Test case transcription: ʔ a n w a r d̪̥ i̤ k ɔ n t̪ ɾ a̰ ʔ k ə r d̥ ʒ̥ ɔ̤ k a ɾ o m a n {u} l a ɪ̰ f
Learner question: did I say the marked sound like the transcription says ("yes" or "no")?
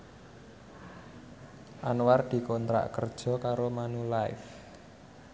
yes